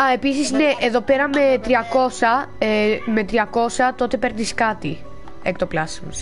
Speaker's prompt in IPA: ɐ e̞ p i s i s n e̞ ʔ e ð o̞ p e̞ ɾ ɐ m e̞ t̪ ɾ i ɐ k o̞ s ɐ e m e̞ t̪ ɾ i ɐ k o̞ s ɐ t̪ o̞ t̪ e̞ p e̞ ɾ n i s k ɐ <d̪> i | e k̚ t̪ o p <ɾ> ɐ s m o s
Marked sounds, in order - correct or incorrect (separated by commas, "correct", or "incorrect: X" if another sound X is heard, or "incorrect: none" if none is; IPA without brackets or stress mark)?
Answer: incorrect: t̪, incorrect: l